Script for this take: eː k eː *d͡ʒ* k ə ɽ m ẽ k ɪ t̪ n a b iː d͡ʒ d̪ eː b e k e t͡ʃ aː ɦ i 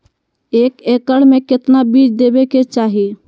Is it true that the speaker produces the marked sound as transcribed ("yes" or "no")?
no